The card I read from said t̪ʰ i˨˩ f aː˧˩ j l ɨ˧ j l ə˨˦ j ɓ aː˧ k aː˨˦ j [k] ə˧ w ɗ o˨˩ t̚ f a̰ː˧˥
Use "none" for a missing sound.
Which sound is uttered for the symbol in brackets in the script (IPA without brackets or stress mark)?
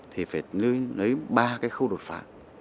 x